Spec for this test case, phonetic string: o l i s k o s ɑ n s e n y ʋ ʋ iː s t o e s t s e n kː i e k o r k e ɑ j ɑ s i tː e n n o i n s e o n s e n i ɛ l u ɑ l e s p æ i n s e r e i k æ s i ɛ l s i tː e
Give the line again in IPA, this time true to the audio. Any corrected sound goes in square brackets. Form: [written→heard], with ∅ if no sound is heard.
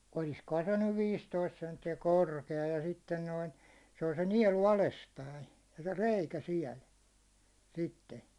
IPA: o l i s k o [s→h] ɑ n s e n y ʋ ʋ iː s t o [e→i] s t s e n [kː→tː] i [e→æ] k o r k e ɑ j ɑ s i tː e n n o i n s e o n s e n i ɛ l u ɑ l e s p æ i n s e r e i k æ s i ɛ l s i tː e